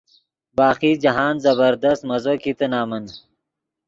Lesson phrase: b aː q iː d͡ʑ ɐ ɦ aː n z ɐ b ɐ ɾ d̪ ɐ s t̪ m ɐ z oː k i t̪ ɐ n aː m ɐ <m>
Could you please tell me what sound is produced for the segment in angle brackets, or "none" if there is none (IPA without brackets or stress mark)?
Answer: n